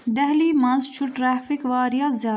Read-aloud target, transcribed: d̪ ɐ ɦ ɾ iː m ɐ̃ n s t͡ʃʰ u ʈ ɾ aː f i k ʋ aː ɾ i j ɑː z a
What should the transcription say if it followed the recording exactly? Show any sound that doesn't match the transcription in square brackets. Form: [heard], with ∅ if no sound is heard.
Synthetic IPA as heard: d̪ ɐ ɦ [l] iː m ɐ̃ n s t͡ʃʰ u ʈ ɾ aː f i k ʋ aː ɾ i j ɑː z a

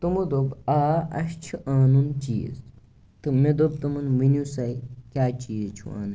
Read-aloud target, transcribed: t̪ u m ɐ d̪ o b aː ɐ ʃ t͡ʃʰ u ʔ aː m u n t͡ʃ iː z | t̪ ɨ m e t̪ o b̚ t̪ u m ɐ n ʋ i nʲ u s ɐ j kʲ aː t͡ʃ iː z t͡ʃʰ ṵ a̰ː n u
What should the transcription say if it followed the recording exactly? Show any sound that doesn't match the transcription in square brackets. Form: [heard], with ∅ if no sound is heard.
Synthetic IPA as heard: t̪ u m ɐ d̪ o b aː ɐ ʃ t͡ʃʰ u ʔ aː [n] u n t͡ʃ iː z | t̪ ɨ m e [d̪] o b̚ t̪ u m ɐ n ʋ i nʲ u s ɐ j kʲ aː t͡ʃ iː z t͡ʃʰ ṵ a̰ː n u

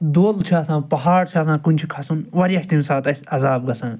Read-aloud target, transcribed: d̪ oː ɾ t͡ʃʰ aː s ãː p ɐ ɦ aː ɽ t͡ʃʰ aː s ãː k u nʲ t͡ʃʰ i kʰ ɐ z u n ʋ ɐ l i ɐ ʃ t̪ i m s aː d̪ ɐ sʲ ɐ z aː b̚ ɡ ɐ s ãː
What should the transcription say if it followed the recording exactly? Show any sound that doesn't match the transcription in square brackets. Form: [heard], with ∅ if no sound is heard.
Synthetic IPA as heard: d̪ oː [l] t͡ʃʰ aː s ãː p ɐ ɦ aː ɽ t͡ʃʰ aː s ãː k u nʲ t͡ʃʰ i kʰ ɐ [s] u n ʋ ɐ [ɾ] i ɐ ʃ t̪ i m s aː [t̪] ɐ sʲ ɐ z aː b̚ ɡ ɐ s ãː

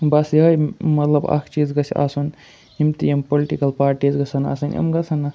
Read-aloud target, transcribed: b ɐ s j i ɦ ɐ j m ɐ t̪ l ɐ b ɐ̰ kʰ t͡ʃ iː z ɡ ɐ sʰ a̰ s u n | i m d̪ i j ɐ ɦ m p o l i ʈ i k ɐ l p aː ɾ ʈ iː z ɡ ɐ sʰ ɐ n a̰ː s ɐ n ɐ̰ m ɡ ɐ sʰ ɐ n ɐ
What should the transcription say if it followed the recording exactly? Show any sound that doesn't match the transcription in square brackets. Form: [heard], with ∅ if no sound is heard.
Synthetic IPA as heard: b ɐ s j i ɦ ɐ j m ɐ t̪ l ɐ b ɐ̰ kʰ t͡ʃ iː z ɡ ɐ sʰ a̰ s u n | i m [t̪] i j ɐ [∅] m p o l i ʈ i k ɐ l p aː ɾ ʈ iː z ɡ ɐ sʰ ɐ n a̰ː s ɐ n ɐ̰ m ɡ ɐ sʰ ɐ n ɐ

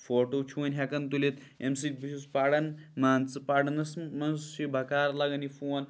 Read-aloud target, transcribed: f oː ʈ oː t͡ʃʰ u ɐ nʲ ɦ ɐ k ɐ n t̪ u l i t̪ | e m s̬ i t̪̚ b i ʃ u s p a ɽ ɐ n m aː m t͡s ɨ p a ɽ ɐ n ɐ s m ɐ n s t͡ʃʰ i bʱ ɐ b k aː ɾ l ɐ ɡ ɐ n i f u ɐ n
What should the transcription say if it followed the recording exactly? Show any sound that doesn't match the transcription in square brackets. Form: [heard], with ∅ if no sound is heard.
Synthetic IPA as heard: f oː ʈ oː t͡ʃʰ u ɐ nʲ ɦ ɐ k ɐ n t̪ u l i t̪ | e m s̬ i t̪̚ b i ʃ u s p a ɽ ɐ n m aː [n] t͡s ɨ p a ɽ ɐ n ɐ s m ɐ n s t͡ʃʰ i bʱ ɐ [∅] k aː ɾ l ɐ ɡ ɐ n i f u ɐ n

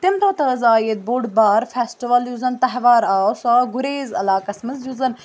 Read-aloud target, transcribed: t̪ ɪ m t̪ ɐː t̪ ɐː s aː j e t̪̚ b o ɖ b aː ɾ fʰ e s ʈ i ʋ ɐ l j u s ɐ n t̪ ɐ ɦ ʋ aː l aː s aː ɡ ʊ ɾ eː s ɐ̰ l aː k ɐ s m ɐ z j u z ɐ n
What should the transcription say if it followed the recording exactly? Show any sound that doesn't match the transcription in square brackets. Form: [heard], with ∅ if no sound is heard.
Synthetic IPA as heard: t̪ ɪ m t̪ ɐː t̪ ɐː [z] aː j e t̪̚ b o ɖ b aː ɾ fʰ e s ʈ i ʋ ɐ l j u [z] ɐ n t̪ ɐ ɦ ʋ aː [ɾ] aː s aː ɡ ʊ ɾ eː [z] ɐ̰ l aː k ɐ s m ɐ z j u z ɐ n

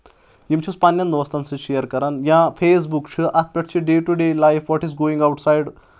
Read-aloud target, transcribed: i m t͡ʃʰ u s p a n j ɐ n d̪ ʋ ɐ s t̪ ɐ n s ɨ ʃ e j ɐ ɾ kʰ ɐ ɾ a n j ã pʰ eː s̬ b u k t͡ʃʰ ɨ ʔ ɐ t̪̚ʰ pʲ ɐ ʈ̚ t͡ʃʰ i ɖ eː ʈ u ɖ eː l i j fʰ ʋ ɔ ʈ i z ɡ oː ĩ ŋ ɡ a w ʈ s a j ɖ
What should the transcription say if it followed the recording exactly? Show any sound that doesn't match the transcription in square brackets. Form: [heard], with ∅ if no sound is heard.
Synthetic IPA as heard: i m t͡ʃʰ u s p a n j ɐ n d̪ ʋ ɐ s t̪ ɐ n s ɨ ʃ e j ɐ ɾ [k] ɐ ɾ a n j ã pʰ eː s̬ b u k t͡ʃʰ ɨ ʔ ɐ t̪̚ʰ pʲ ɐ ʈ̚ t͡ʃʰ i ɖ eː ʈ u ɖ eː l [a] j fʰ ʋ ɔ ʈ i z ɡ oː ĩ ŋ ɡ a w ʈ s a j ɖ

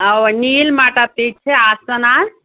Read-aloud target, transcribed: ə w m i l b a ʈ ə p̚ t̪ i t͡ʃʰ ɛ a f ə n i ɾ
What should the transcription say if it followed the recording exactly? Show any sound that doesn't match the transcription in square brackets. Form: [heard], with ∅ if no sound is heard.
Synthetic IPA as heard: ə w [n] i l [m] a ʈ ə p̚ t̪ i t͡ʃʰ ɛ a [s] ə n [a] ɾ

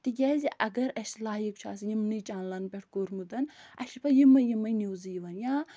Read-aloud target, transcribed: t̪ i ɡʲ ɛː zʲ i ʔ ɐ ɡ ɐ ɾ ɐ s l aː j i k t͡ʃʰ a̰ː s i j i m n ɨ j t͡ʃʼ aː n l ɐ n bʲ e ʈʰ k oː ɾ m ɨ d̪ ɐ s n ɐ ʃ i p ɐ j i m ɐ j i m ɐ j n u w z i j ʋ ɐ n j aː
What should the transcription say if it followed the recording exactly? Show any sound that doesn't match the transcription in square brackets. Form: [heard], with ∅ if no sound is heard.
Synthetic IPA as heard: t̪ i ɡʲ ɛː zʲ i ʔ ɐ ɡ ɐ ɾ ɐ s l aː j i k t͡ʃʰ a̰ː s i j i m n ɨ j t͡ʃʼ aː n l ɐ n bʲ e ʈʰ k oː ɾ m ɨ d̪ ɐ [∅] n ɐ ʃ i p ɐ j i m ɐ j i m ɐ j n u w z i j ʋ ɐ n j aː

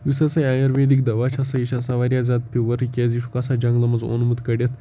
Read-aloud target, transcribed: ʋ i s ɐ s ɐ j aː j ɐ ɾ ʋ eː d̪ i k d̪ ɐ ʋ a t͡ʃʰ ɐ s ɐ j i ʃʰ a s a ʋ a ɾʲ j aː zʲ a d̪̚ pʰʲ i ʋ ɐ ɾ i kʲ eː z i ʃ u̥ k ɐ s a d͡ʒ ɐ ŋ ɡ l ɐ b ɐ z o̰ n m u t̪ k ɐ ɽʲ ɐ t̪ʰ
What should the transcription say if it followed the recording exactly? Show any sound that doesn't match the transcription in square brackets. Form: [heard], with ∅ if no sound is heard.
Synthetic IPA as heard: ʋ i s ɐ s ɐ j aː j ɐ ɾ ʋ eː d̪ i k d̪ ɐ ʋ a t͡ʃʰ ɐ s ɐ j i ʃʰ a s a ʋ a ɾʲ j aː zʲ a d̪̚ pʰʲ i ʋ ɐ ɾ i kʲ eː z i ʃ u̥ k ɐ s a d͡ʒ ɐ ŋ ɡ l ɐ [m] ɐ z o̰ n m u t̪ k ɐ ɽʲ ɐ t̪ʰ

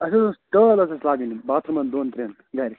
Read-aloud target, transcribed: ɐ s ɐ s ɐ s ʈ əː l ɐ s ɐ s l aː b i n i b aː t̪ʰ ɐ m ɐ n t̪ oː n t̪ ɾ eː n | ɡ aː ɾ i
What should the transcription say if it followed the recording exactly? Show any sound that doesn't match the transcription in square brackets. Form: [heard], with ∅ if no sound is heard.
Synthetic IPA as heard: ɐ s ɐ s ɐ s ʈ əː l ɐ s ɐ s l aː [ɡ] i n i b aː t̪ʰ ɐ m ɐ n [d̪] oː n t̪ ɾ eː n | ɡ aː ɾ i

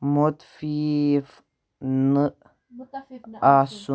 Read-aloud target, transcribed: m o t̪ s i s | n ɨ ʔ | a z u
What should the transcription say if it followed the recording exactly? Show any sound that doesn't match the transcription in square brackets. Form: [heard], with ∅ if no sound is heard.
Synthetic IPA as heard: m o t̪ [f] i [f] | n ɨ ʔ | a [s] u

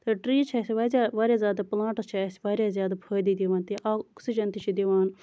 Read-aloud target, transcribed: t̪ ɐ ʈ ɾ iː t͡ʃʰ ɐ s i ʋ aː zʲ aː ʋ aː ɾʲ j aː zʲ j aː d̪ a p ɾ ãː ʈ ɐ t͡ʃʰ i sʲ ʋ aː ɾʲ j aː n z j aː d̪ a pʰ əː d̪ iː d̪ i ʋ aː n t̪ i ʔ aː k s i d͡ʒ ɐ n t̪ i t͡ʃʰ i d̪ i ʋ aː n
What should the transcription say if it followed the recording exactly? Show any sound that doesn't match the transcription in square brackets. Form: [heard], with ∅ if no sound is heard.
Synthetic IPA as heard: t̪ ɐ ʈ ɾ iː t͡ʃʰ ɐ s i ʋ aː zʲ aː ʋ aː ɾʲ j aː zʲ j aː d̪ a p [l] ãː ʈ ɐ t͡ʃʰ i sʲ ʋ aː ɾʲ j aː [∅] z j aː d̪ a pʰ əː d̪ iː d̪ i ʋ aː n t̪ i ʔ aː k s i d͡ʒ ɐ n t̪ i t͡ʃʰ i d̪ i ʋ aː n

